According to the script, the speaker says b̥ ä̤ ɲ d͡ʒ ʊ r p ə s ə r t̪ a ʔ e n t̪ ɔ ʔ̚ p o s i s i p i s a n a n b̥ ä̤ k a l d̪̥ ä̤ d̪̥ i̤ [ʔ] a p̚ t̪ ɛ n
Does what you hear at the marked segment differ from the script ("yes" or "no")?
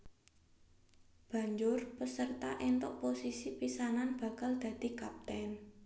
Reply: yes